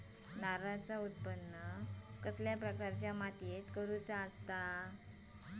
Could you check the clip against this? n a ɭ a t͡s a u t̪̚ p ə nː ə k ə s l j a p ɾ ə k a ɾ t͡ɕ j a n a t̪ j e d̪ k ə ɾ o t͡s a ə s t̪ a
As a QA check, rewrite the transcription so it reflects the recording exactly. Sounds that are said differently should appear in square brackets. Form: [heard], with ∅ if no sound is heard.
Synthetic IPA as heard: n a [ɾ] a t͡s a u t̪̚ p ə nː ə k ə s l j a p ɾ ə k a ɾ t͡ɕ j a [m] a t̪ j e [t̪] k ə ɾ [u] t͡s a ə s t̪ a